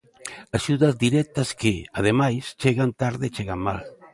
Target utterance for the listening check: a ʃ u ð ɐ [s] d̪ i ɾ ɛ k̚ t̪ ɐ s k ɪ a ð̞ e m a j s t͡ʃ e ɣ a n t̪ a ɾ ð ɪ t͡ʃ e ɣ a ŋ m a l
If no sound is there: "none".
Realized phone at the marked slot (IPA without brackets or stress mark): z